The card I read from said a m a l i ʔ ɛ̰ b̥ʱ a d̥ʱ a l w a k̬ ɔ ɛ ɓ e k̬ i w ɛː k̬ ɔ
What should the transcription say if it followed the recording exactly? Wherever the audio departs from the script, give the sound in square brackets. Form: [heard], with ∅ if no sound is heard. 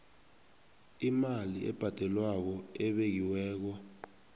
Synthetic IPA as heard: [i] m a l i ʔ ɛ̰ b̥ʱ a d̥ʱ [ɛ] l w a k̬ ɔ ɛ ɓ e k̬ i w ɛː k̬ ɔ